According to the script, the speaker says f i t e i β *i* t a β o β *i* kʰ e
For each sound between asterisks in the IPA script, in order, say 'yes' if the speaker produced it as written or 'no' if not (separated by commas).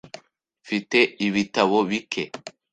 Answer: yes, yes